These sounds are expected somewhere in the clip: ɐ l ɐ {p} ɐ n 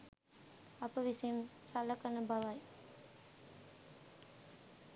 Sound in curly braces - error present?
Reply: yes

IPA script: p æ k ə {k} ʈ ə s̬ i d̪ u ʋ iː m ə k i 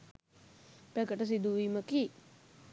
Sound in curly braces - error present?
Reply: yes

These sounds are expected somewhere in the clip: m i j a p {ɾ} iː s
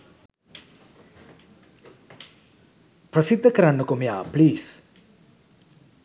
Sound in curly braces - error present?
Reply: yes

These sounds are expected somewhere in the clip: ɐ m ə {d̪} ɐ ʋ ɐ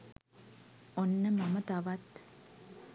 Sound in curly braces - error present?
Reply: yes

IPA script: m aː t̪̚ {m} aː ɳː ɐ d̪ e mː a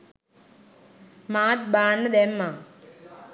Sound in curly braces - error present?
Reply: yes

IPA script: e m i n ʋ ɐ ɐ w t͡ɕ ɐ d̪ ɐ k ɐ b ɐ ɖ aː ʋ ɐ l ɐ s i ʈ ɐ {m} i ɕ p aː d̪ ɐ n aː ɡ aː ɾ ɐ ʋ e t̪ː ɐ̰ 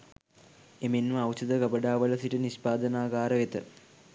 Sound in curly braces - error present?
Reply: yes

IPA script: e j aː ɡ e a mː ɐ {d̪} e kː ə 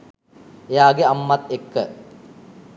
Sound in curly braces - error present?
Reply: yes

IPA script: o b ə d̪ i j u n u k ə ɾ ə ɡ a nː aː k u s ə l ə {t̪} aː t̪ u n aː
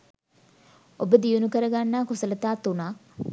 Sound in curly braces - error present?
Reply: no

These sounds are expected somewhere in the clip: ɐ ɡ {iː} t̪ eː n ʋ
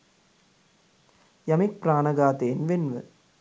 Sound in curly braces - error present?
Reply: yes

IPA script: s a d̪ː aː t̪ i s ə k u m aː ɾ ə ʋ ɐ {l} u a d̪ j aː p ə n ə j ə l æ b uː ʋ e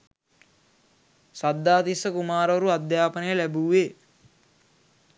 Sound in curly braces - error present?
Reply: yes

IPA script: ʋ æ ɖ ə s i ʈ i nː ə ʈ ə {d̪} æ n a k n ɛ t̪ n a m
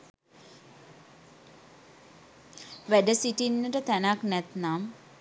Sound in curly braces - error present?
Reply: yes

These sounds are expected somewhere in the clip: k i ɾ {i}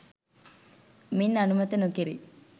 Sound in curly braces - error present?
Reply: no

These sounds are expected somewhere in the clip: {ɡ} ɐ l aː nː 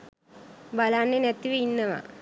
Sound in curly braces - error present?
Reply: yes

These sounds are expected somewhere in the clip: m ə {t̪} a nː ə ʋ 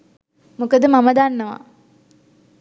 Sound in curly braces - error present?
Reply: yes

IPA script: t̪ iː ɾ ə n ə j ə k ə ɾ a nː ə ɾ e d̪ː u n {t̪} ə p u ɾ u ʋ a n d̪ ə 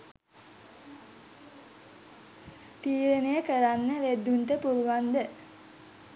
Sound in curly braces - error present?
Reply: no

